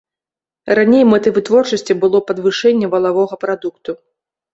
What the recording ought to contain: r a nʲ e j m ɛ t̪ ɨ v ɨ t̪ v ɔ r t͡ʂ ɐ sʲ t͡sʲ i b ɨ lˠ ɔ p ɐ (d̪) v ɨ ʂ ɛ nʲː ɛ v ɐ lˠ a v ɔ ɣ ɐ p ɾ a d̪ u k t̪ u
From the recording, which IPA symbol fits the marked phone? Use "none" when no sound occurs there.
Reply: d̪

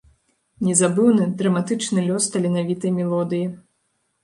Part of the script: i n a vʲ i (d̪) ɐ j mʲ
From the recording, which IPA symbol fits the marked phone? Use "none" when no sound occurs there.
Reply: t̪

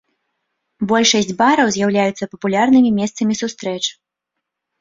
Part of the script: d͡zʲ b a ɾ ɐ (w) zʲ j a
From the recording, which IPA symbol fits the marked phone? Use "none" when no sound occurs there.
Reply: w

